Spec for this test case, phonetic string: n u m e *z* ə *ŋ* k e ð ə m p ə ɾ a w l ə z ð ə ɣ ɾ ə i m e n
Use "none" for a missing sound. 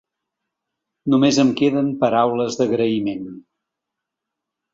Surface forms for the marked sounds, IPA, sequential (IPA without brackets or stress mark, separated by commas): z, m